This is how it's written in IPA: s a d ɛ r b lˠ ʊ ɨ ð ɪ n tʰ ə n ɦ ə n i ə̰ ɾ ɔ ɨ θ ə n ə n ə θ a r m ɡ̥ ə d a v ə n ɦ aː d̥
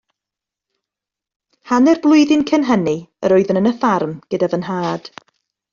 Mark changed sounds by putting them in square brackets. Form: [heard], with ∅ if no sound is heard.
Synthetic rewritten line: [h] a [n] ɛ r b lˠ ʊ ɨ ð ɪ n [kʰ] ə n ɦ ə n i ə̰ ɾ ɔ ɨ [ð] ə n ə n ə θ a r m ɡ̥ ə d a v ə n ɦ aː d̥

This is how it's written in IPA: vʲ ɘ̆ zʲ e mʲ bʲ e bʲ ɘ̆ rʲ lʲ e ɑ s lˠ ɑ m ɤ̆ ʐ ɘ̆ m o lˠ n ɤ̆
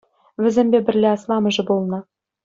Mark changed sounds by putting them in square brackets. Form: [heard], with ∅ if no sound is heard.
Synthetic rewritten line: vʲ ɘ̆ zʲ e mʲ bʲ e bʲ ɘ̆ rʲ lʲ e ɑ s lˠ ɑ m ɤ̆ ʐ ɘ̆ [b] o lˠ n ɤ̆

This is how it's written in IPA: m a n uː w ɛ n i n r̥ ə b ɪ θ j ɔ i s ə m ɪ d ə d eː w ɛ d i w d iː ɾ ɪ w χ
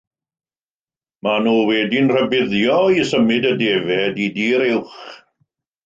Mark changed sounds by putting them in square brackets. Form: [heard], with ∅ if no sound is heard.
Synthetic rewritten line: m a n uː w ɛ [d] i n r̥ ə b ɪ [ð] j ɔ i s ə m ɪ d ə d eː [v] ɛ d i [∅] d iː ɾ ɪ w χ

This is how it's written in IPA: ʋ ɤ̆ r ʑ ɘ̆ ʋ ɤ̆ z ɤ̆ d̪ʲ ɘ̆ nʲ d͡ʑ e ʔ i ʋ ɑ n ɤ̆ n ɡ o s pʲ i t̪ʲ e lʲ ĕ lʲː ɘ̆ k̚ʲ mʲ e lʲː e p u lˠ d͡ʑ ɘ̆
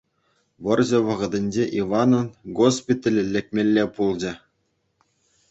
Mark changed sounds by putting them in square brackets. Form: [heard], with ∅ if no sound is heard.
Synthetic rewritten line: ʋ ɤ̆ r ʑ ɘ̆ ʋ ɤ̆ [ʁ] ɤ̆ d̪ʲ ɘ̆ nʲ d͡ʑ e ʔ i ʋ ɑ n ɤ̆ n ɡ o s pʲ i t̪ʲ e lʲ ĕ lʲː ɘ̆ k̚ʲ mʲ e lʲː e p u lˠ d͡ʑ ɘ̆

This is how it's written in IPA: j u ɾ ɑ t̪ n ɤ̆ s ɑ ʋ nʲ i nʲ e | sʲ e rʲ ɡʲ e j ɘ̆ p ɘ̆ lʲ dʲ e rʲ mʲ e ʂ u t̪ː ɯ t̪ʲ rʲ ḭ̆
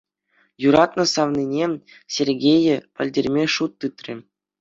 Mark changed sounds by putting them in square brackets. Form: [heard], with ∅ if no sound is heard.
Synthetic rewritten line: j u ɾ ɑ t̪ n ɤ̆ s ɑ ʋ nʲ i nʲ e | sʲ e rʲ ɡʲ e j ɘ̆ p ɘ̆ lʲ dʲ e rʲ mʲ e ʂ u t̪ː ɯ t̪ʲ rʲ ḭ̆

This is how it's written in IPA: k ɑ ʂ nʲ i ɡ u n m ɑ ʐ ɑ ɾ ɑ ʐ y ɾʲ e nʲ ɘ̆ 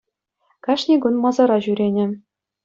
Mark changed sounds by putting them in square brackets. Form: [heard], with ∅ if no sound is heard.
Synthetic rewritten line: k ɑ ʂ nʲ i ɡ u n m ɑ [z] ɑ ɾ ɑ [ʑ] y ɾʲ e nʲ ɘ̆

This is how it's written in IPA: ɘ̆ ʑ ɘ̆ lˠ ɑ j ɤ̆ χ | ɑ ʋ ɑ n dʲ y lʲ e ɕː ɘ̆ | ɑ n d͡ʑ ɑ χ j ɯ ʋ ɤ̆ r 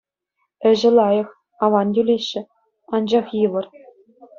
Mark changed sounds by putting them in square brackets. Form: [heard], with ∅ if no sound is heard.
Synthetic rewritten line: ɘ̆ ʑ ɘ̆ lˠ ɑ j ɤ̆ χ | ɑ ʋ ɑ n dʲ y lʲ e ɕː ɘ̆ | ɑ n d͡ʑ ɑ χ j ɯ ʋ ɤ̆ r

